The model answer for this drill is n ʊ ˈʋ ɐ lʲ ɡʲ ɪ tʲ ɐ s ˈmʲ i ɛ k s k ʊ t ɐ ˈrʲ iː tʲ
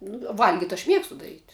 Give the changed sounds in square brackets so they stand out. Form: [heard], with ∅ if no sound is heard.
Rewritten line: n ʊ ˈʋ ɐ lʲ ɡʲ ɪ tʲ ɐ [ʃ] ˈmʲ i ɛ k s [t] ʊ [d] ɐ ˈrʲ iː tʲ